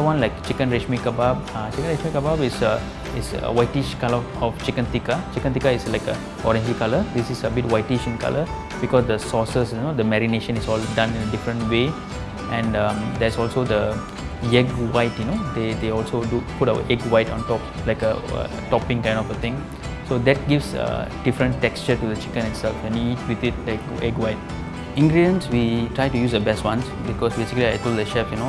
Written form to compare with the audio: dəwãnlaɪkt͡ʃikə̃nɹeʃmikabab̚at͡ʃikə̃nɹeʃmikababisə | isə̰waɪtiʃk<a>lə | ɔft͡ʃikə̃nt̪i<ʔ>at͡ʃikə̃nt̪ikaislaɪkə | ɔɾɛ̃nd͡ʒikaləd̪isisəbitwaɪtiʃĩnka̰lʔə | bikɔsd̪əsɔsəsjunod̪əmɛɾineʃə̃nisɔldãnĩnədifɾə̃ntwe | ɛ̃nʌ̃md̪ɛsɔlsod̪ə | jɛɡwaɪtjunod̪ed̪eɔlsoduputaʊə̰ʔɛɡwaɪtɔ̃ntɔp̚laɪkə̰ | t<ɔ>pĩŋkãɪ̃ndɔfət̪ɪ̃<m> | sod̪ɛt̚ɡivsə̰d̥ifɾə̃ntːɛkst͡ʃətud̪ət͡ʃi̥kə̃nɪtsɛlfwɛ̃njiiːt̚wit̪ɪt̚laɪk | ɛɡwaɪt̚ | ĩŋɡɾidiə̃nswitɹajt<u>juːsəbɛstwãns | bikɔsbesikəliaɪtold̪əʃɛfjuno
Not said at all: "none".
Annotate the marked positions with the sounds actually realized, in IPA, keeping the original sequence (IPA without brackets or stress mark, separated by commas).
a, k, ɔ, ŋ, u